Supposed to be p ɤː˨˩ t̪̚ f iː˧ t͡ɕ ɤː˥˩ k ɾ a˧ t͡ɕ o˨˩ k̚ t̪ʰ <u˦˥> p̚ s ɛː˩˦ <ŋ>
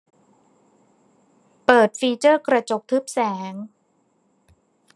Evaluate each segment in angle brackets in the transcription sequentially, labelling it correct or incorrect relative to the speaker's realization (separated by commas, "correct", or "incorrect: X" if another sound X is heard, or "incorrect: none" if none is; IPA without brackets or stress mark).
incorrect: ɯ˦˥, correct